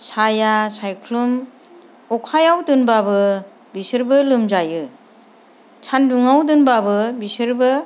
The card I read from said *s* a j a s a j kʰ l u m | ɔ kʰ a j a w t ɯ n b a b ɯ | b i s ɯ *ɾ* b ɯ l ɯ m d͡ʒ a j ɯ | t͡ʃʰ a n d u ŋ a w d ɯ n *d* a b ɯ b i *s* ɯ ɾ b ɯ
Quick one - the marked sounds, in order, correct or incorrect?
correct, correct, incorrect, correct

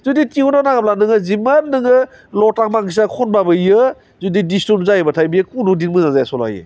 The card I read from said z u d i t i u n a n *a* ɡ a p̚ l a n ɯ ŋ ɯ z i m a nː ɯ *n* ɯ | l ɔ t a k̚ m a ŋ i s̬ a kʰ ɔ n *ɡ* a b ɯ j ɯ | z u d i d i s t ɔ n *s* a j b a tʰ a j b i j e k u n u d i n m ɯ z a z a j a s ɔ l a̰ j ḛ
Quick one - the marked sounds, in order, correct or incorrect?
correct, incorrect, incorrect, incorrect

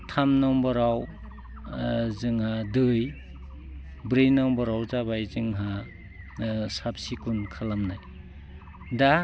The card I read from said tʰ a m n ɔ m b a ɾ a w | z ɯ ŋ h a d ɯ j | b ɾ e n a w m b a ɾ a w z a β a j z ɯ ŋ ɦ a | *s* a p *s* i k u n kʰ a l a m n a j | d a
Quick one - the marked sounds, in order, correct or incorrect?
correct, correct

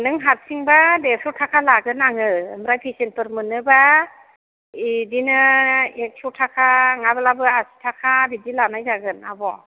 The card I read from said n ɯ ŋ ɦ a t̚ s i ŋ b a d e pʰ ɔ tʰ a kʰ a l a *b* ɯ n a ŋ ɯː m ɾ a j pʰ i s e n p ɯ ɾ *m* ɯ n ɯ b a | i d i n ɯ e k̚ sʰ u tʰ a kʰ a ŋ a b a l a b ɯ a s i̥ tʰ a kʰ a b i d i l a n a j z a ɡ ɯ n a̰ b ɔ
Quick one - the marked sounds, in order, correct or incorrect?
incorrect, correct

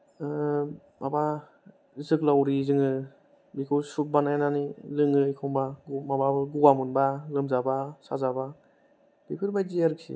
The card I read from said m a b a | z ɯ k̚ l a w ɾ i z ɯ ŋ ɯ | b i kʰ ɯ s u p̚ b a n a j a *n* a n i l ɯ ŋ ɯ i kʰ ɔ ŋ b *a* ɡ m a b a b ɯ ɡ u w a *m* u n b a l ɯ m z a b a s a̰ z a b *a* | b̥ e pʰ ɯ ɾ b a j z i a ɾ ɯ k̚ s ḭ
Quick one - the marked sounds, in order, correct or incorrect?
correct, correct, correct, correct

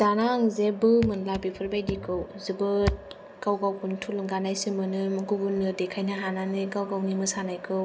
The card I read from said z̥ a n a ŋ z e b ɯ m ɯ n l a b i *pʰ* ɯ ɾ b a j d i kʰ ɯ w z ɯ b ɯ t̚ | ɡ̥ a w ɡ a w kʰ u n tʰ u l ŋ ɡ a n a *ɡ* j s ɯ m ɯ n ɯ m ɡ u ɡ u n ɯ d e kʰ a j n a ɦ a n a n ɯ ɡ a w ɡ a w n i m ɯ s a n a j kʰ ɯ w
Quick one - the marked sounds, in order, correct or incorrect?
correct, incorrect

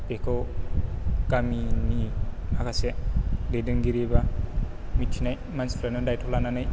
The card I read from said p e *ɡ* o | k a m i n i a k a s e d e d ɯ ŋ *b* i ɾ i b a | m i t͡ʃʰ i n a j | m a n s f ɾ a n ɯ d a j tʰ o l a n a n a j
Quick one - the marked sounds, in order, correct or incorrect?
incorrect, incorrect

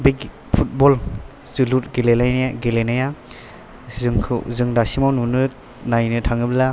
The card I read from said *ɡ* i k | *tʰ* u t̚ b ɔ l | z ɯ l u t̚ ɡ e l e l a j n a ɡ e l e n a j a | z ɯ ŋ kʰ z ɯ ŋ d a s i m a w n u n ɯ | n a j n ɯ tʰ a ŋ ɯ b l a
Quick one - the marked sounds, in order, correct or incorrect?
incorrect, incorrect

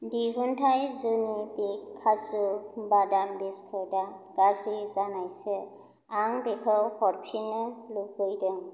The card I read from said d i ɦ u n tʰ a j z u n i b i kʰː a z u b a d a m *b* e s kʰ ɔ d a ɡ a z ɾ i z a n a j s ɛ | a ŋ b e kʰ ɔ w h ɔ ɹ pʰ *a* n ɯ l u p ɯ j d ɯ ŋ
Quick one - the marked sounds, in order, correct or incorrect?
correct, incorrect

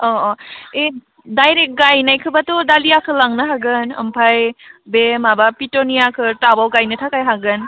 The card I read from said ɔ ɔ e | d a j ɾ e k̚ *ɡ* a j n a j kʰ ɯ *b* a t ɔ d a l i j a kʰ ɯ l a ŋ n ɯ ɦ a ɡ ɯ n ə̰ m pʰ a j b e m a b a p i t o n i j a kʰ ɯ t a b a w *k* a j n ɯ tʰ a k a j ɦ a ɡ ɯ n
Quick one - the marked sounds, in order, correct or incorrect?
correct, correct, incorrect

